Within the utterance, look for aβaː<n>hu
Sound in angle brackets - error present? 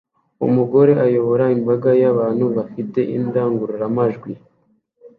no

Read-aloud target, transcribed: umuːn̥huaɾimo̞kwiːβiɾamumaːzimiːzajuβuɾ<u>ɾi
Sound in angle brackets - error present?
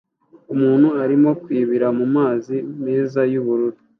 no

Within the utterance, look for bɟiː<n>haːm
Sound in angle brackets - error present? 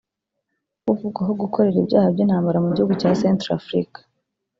no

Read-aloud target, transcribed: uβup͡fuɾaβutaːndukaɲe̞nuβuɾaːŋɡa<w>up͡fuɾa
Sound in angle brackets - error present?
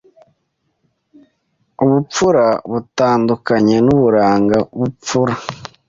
yes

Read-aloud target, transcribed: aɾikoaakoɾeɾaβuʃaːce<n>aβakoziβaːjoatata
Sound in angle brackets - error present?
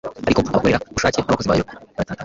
no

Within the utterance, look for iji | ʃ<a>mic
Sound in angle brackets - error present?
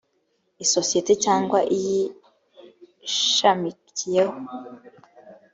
no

